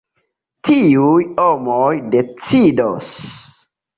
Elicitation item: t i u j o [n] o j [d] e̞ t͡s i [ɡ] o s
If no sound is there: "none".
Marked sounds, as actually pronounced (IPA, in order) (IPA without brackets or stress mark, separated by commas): m, d, d